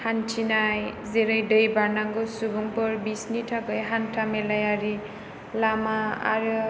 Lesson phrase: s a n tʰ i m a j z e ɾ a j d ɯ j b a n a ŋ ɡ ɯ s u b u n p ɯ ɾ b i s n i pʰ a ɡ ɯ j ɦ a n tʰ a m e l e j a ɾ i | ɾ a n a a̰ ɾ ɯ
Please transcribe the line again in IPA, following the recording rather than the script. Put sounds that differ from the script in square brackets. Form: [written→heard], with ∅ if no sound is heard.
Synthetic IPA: [s→h] a n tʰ i [m→n] a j z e ɾ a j d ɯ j b a n a ŋ ɡ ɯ s u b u [n→ŋ] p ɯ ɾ b i s n i [pʰ→tʰ] a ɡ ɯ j ɦ a n tʰ a m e l [e→a] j a ɾ i | [ɾ→l] a [n→m] a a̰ ɾ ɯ